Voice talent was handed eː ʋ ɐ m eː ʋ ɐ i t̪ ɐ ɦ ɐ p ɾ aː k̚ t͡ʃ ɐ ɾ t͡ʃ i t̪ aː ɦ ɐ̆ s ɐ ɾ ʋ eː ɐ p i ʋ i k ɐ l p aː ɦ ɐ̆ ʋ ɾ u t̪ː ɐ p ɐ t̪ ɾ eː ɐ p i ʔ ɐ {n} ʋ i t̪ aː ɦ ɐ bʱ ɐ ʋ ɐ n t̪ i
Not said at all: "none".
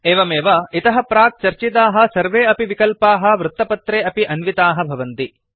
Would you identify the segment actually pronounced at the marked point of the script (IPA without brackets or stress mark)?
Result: n